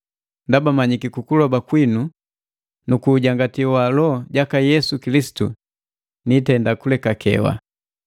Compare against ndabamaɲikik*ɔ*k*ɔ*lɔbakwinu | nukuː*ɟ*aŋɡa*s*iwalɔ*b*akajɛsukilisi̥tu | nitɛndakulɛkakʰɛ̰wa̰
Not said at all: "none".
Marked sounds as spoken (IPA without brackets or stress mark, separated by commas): u, u, ɟ, t, ɟ